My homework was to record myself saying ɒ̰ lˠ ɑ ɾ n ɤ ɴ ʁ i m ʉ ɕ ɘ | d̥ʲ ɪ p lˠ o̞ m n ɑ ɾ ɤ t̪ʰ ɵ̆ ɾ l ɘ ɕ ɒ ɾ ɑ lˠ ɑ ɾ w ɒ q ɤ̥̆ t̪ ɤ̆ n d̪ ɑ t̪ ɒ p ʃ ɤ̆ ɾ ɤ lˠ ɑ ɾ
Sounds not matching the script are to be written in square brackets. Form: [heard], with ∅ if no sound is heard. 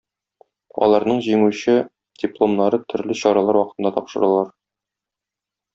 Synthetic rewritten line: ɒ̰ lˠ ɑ ɾ n ɤ ɴ [ʑ] i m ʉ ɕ ɘ | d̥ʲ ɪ p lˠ o̞ m n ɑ ɾ ɤ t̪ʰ ɵ̆ ɾ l ɘ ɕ ɒ ɾ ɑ lˠ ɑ ɾ w ɒ q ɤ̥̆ t̪ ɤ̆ n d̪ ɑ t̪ ɒ p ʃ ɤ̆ ɾ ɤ lˠ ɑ ɾ